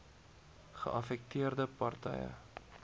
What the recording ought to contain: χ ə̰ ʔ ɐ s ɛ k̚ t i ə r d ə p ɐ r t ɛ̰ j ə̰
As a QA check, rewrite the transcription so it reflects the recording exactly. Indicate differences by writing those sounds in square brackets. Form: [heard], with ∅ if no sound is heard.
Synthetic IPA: χ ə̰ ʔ ɐ [f] ɛ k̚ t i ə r d ə p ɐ r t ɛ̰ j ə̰